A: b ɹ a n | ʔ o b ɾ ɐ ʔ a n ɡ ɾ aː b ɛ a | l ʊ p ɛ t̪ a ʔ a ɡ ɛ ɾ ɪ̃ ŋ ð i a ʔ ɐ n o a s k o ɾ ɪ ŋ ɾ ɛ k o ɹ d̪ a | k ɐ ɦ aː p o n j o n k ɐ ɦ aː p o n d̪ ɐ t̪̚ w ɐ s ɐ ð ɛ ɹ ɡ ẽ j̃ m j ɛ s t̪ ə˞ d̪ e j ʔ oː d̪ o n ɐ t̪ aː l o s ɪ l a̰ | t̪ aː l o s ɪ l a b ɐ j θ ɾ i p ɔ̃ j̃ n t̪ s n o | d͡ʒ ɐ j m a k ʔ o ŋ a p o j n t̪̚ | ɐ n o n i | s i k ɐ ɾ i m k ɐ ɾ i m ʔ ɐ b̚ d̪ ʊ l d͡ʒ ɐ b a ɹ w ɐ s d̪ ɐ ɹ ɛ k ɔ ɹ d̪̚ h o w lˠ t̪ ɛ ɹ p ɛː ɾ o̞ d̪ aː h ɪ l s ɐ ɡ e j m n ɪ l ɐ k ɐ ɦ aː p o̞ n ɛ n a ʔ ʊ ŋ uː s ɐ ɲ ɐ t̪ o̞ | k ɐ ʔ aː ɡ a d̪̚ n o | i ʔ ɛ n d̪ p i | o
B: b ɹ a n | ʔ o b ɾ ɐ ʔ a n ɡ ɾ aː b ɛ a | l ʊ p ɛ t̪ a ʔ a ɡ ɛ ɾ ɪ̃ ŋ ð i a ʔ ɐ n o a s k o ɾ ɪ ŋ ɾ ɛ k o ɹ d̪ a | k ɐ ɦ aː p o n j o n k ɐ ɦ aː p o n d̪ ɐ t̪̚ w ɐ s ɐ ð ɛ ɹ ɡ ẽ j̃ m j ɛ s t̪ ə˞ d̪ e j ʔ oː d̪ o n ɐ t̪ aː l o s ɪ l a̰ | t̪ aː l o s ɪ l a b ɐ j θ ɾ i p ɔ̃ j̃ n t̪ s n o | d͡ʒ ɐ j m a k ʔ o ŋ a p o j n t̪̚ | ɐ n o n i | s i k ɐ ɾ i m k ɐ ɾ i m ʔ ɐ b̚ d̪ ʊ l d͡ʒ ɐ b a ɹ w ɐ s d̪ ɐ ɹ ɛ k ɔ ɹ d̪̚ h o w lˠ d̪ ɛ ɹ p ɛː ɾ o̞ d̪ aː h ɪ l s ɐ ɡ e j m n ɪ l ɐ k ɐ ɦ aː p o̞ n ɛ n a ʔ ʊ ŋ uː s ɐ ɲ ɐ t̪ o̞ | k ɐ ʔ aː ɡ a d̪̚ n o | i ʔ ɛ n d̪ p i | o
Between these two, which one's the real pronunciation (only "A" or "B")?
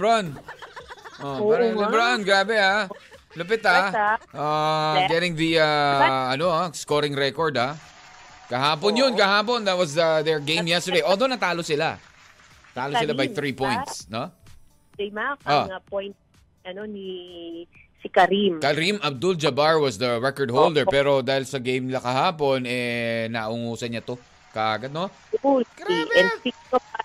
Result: B